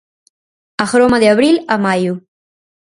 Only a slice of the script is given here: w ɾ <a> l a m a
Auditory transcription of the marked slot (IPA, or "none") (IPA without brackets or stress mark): i